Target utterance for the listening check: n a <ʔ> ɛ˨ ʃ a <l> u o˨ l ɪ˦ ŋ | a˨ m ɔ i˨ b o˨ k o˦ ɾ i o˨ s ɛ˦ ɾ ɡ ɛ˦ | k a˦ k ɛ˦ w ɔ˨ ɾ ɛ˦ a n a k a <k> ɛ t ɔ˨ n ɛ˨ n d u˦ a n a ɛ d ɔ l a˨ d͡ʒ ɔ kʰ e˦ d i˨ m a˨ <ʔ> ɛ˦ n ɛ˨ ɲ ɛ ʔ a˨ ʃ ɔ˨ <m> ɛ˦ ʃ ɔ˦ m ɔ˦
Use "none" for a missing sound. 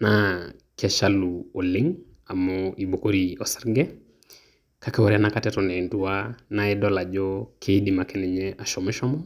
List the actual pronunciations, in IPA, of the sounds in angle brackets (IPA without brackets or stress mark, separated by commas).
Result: k, l, t, k, m